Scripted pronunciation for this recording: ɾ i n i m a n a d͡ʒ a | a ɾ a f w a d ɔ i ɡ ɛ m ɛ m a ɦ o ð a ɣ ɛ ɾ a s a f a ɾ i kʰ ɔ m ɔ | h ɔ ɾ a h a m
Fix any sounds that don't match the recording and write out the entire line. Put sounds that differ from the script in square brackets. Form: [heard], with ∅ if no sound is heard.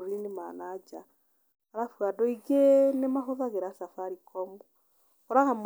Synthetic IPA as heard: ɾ i n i m a n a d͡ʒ a | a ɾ a f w a d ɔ i ɡ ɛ [n] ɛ m a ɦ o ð a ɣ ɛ ɾ a s a f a ɾ i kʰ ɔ m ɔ | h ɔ ɾ a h a m